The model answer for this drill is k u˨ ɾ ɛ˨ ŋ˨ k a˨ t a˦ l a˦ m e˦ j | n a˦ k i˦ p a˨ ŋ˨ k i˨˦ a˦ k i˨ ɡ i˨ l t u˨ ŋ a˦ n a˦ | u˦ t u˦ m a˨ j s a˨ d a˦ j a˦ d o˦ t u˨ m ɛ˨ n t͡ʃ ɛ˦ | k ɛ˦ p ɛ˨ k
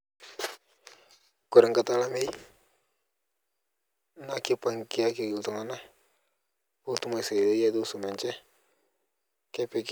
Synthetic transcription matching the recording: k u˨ ɾ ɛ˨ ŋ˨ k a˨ t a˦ l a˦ m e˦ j | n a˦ k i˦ p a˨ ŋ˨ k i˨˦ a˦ k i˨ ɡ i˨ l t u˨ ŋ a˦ n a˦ | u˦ t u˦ m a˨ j s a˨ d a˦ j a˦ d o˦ s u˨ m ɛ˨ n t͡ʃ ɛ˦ | k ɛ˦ p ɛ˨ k